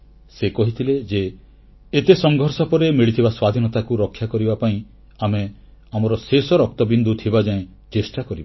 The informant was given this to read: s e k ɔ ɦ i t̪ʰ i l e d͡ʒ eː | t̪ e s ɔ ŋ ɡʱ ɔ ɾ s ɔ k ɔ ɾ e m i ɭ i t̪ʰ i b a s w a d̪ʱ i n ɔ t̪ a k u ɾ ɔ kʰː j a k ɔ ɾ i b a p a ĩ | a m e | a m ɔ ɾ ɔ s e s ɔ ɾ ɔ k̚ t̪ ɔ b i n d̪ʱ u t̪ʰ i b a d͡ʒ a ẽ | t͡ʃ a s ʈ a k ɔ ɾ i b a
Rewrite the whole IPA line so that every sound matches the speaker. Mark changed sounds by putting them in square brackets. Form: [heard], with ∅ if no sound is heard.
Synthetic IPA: s e k ɔ ɦ i t̪ʰ i l e d͡ʒ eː | t̪ e s ɔ ŋ ɡʱ ɔ ɾ s ɔ [p] ɔ ɾ e m i ɭ i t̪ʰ i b a s w a d̪ʱ i n ɔ t̪ a k u ɾ ɔ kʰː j a k ɔ ɾ i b a p a ĩ | a m e | a m ɔ ɾ ɔ s e s ɔ ɾ ɔ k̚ t̪ ɔ b i n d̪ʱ u t̪ʰ i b a d͡ʒ a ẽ | t͡ʃ [e] s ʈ a k ɔ ɾ i b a